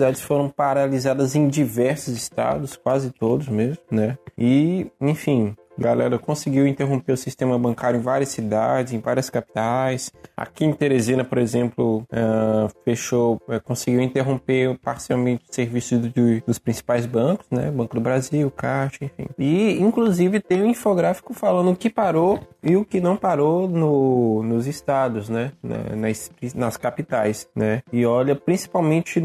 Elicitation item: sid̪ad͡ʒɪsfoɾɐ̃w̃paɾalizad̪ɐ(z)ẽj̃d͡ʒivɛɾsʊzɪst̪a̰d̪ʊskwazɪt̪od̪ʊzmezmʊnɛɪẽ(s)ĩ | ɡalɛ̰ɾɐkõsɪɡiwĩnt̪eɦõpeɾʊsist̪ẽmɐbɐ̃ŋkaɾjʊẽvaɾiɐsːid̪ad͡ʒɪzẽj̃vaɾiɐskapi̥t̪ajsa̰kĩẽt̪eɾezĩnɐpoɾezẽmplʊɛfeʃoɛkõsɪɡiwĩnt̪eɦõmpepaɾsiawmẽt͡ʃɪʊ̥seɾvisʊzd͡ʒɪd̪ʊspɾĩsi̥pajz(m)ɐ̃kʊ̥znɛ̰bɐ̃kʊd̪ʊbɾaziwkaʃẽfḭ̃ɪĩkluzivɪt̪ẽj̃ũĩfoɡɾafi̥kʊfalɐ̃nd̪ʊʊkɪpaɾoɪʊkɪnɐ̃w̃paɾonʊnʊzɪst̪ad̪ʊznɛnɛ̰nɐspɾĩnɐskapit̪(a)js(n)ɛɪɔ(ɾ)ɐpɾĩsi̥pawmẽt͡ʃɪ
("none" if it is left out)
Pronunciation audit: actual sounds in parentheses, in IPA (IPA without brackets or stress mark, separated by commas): z, f, b, a, n, ʎ